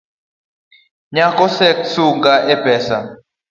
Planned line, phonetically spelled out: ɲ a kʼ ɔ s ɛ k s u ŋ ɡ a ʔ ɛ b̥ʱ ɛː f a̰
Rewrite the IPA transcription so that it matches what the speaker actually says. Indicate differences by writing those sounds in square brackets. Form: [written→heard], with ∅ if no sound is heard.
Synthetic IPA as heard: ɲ a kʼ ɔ s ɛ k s u ŋ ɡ a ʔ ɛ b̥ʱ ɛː [f→s] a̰